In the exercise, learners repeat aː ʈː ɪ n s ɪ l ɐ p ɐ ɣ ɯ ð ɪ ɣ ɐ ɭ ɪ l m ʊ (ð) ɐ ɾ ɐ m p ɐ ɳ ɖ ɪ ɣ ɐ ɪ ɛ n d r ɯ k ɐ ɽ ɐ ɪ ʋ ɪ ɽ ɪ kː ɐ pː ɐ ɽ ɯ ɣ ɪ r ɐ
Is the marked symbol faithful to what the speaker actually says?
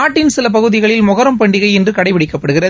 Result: no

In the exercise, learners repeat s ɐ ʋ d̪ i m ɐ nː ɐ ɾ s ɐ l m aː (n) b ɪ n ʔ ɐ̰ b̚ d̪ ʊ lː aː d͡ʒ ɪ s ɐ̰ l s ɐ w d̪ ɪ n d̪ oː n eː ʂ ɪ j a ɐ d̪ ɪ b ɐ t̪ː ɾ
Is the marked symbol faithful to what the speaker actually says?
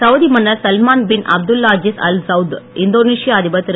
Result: yes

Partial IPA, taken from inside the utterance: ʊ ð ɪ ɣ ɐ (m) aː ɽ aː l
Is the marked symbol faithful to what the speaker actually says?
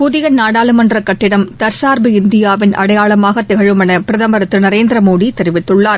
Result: no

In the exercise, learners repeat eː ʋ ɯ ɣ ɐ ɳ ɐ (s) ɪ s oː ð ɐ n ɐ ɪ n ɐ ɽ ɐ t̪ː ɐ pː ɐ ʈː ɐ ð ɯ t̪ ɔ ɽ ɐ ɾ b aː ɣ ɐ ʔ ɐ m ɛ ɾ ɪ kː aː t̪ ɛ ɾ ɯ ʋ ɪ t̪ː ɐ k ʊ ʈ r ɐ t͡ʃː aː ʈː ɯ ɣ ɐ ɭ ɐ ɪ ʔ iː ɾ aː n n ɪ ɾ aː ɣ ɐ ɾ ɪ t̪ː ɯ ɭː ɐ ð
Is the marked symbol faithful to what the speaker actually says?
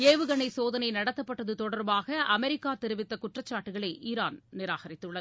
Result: no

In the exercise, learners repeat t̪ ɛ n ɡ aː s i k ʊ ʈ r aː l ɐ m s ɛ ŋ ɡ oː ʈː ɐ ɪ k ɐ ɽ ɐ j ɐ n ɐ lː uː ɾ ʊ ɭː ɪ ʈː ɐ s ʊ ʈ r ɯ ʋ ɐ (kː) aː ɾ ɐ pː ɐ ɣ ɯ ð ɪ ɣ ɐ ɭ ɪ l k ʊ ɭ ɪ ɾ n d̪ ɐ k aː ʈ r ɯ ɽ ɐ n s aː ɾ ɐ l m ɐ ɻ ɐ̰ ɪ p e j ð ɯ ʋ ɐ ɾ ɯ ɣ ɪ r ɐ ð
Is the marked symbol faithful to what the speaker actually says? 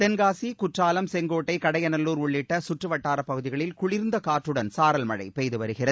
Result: no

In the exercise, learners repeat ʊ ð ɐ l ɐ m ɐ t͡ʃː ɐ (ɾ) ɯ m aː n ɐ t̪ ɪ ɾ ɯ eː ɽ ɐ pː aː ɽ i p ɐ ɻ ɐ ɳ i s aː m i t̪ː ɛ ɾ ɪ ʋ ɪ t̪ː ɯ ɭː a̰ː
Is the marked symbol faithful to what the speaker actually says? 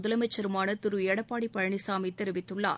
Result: yes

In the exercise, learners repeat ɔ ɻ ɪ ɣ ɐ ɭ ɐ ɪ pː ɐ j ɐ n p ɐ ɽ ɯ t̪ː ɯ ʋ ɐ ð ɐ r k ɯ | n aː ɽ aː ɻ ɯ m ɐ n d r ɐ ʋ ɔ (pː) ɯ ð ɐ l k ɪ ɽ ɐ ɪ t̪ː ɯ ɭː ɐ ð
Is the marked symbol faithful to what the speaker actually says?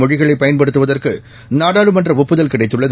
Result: yes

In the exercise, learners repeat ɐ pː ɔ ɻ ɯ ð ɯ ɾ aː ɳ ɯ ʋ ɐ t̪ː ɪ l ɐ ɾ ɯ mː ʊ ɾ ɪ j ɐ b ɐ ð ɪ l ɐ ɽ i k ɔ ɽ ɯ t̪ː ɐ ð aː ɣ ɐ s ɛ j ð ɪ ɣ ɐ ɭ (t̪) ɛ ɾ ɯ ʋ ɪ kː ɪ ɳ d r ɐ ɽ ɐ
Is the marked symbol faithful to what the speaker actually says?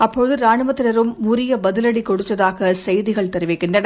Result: yes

